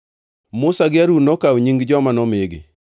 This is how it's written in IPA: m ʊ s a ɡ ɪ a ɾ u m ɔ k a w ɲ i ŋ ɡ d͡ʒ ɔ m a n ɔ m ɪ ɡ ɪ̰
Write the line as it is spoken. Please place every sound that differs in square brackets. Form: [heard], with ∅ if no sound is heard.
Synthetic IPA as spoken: m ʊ s a ɡ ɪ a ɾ u [n] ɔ k a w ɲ i ŋ ɡ d͡ʒ ɔ m a n ɔ m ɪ ɡ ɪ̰